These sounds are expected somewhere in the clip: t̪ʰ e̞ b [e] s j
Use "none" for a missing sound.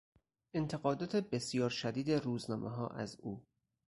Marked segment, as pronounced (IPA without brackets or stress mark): e